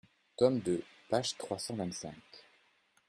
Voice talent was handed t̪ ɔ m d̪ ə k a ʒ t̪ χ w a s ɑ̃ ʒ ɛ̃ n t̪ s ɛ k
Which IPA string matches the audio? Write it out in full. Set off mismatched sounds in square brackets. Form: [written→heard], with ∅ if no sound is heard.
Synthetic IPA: t̪ ɔ m d̪ ə [k→p] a ʒ t̪ χ w a s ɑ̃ [ʒ→v] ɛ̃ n t̪ s [ɛ→ɛ̃] k